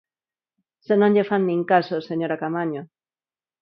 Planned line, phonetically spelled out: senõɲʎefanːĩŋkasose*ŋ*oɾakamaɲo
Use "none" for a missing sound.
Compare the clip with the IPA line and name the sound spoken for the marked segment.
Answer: ɲ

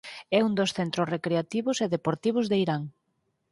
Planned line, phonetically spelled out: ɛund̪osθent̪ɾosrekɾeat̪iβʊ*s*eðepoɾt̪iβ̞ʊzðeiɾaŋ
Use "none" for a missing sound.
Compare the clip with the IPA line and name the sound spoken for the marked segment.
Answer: s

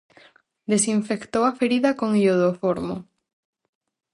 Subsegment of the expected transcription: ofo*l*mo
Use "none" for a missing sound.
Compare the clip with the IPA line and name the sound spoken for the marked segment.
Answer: ɾ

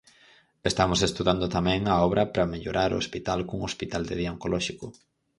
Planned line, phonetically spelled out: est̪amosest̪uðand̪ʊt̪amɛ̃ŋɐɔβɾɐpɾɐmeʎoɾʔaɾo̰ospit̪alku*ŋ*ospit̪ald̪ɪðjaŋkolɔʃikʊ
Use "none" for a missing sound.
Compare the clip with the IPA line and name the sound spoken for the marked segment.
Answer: ŋ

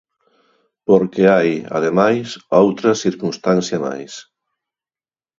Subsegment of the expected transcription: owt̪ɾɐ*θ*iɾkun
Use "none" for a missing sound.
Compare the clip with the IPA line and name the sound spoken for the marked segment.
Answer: s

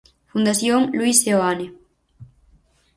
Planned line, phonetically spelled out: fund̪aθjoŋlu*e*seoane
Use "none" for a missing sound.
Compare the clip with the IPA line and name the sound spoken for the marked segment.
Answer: i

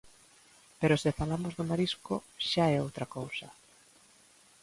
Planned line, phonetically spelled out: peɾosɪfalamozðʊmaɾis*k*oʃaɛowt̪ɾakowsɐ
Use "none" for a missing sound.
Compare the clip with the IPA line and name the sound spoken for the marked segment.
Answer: k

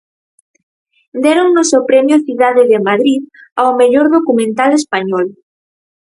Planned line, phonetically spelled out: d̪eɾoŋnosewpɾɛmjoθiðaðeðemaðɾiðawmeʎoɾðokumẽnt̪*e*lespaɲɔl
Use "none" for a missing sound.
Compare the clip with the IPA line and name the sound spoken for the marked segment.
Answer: a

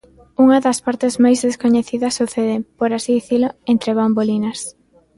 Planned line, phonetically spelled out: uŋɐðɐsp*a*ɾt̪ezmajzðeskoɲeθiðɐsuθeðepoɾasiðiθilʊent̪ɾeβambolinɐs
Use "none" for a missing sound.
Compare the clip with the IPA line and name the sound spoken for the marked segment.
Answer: a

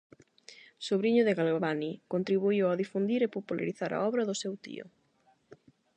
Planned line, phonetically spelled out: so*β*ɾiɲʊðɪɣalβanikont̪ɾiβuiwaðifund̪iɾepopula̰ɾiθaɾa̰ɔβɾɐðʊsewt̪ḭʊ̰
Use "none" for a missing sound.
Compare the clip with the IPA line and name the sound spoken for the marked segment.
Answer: β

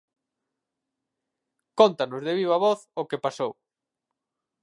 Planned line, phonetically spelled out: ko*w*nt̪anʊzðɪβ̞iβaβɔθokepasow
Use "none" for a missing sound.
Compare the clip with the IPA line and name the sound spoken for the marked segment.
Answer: none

